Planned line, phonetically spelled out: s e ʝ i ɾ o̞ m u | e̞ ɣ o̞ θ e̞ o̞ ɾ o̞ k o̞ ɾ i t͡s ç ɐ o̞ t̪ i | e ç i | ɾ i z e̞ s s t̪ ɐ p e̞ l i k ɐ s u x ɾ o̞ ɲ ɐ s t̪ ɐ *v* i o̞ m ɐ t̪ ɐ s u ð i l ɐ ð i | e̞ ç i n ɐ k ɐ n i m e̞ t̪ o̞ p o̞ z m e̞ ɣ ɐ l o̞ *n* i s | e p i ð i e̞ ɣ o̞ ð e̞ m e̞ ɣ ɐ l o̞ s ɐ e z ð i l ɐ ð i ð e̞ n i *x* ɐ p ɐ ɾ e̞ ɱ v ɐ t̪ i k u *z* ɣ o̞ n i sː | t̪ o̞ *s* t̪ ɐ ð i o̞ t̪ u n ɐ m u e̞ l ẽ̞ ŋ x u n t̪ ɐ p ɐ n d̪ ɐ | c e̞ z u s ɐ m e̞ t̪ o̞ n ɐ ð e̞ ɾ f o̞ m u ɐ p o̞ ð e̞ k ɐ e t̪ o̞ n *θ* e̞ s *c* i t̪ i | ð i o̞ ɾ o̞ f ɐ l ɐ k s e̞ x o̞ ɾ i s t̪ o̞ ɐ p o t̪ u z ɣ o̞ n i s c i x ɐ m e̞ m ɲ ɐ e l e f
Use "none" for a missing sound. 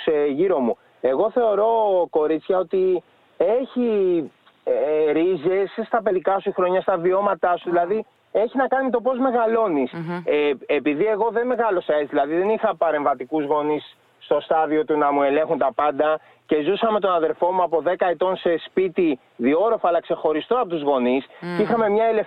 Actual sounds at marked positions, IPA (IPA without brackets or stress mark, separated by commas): v, n, x, z, s, s, p